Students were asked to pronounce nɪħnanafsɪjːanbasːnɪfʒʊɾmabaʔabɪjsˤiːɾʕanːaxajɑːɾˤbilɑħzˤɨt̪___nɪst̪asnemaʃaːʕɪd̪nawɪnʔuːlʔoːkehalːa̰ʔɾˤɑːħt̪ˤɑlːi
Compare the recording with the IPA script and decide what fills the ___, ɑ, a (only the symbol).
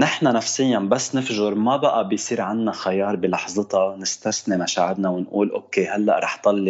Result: ɑ